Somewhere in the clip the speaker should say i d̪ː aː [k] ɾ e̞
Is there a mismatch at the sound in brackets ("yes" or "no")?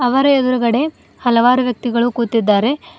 yes